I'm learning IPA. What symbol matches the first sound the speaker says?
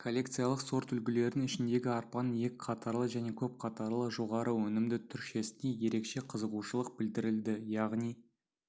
kʰ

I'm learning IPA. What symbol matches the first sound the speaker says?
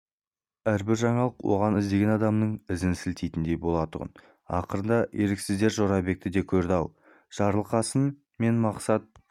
æ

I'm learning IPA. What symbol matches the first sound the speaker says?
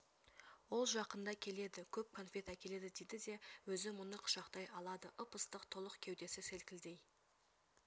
w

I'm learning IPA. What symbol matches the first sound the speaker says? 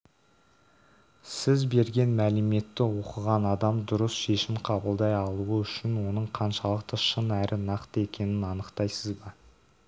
s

